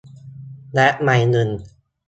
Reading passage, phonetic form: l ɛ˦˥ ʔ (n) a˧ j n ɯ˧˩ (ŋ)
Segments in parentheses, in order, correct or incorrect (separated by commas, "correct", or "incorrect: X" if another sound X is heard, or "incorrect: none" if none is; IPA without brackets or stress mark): incorrect: m, incorrect: n